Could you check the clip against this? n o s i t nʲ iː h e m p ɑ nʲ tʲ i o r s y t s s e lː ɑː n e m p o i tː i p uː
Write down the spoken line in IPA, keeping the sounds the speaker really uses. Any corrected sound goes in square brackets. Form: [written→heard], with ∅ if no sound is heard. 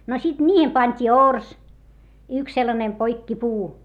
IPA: n o s i t nʲ iː h e m p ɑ nʲ tʲ [i→iː] o r s y [t→k] s s e lː [ɑː→ɑ] n e m p o i [tː→kː] i p uː